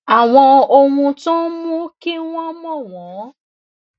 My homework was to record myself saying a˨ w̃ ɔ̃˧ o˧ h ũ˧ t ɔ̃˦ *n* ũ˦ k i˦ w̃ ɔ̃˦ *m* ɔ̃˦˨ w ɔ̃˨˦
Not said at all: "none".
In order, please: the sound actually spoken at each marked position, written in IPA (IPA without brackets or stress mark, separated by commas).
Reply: m, m